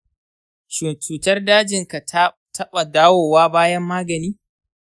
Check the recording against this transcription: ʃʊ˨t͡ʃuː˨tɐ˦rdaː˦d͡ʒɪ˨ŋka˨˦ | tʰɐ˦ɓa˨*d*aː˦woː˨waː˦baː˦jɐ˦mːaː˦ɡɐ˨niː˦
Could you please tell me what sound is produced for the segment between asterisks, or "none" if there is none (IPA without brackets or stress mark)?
d